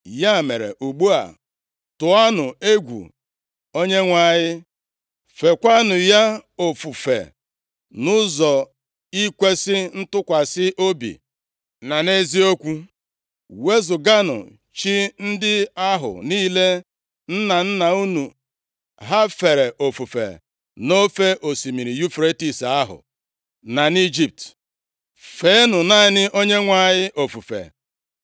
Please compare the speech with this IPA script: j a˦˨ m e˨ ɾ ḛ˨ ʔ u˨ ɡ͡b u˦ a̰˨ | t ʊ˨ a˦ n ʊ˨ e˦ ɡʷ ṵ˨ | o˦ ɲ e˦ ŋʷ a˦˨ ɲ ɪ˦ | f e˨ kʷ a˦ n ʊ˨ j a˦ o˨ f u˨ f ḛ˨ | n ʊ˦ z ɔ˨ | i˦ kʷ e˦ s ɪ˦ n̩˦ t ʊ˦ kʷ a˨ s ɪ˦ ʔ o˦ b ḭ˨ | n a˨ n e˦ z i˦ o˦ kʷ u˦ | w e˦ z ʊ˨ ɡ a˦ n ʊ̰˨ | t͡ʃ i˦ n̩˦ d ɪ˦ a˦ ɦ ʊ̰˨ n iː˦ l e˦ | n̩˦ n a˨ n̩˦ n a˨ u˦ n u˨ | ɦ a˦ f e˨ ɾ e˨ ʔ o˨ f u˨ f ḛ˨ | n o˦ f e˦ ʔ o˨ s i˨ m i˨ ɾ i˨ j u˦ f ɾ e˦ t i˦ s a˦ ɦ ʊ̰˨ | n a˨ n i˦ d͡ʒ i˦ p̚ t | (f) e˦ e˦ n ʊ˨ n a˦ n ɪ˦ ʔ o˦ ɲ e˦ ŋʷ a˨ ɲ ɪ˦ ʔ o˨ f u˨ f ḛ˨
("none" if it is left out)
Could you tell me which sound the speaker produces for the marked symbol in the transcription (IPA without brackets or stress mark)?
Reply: f